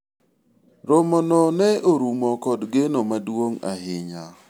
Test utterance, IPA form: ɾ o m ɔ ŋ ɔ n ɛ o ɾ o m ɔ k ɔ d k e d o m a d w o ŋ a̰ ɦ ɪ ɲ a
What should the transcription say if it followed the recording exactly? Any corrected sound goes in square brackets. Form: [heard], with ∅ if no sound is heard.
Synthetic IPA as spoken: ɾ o m ɔ [n] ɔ n ɛ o ɾ [u] m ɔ k ɔ d [ɡ] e [n] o m a d w o ŋ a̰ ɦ ɪ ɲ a